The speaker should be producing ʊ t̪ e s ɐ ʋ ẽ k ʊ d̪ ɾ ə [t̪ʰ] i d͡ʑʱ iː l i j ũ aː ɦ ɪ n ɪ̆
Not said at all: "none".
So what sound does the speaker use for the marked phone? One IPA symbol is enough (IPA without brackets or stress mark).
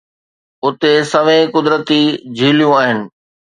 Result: t̪